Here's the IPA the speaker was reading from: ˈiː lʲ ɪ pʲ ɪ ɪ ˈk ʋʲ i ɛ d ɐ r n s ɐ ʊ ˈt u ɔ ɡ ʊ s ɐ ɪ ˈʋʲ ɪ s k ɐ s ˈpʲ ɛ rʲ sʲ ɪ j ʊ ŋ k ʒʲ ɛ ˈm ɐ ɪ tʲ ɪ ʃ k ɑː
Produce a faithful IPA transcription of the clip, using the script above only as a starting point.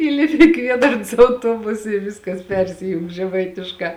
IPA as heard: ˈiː lʲ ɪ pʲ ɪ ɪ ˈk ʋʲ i ɛ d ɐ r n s ɐ ʊ ˈt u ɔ b ʊ s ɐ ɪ ˈʋʲ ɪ s k ɐ s ˈpʲ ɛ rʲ sʲ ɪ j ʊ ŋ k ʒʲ ɛ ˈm ɐ ɪ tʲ ɪ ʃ k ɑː